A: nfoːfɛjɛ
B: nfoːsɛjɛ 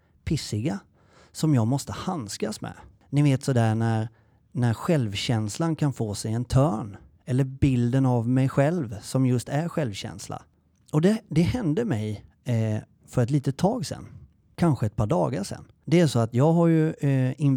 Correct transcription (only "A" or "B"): B